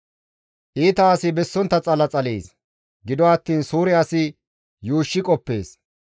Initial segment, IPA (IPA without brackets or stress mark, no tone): ʔ